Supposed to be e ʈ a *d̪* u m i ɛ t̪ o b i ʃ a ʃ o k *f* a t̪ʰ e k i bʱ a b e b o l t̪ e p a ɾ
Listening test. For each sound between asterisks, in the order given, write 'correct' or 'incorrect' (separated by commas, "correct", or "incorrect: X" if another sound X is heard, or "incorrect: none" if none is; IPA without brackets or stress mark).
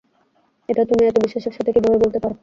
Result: incorrect: t̪, incorrect: ʃ